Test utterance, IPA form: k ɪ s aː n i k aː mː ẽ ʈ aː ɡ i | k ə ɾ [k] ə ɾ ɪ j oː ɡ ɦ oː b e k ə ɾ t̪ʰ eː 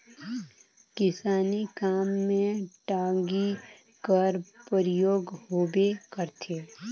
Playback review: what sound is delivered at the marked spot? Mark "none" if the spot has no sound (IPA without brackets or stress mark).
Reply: p